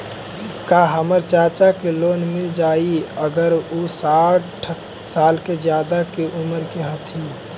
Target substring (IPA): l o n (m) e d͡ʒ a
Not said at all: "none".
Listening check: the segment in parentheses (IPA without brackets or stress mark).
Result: m